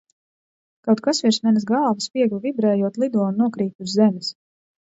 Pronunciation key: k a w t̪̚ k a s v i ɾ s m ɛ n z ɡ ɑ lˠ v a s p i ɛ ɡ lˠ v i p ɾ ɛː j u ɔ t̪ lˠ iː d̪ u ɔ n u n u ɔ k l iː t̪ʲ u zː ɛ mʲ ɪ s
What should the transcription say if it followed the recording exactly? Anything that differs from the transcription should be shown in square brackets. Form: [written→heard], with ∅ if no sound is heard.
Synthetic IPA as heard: k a w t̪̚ k a s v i ɾ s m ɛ n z ɡ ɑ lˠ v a s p i ɛ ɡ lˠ v i [p→b] ɾ ɛː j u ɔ t̪ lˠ [iː→i] d̪ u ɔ n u n u ɔ k [l→ɾ] iː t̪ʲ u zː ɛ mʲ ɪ s